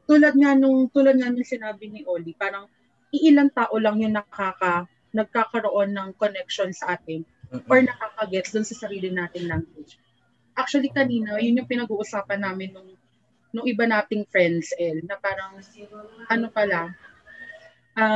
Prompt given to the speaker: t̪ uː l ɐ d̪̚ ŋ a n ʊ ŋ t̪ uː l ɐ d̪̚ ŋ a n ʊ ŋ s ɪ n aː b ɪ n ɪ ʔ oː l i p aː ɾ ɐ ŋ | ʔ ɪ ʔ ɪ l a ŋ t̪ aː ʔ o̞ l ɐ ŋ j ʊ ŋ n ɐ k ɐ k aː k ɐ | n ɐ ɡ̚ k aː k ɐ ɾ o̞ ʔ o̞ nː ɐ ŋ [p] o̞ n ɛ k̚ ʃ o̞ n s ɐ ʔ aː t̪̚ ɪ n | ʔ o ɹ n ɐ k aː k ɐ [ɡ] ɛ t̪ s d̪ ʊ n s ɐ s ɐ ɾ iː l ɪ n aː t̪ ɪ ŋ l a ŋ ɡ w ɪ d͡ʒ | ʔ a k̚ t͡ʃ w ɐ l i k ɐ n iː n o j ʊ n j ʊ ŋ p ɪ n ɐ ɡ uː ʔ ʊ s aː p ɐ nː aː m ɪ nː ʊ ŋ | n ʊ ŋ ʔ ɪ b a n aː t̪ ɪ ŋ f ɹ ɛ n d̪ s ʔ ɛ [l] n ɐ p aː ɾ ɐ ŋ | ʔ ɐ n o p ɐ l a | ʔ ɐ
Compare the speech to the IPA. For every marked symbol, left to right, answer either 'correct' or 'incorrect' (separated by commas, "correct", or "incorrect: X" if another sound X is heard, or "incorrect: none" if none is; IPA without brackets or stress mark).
incorrect: k, correct, correct